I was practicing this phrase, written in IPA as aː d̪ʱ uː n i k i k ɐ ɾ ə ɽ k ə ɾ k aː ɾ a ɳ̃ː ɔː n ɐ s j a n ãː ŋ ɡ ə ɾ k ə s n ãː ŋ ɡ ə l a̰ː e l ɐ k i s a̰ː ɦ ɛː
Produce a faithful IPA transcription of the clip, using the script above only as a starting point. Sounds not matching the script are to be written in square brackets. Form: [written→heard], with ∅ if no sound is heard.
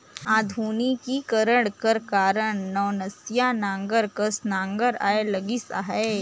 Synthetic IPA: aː d̪ʱ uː n i k i k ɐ ɾ ə ɽ k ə ɾ k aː ɾ [a→ə] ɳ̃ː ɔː n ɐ s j a n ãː ŋ ɡ ə ɾ k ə s n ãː ŋ ɡ ə [l→ɾ] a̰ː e l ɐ [k→ɡ] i s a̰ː ɦ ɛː